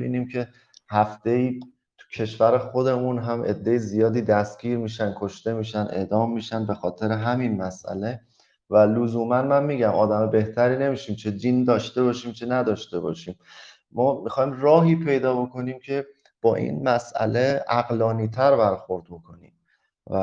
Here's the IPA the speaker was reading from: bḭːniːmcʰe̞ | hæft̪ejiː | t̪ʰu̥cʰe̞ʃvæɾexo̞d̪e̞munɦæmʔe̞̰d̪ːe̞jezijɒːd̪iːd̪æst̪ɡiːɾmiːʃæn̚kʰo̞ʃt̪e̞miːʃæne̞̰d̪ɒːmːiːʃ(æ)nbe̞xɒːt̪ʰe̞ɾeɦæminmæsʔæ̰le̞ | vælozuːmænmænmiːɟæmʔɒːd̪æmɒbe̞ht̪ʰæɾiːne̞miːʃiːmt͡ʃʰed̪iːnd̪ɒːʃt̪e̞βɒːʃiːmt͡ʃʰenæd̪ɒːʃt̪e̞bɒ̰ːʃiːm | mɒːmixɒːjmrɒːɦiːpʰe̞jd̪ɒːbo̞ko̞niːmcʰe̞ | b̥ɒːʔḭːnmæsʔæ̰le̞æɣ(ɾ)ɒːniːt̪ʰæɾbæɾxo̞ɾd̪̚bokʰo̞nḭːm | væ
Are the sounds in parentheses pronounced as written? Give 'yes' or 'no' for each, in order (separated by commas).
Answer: yes, no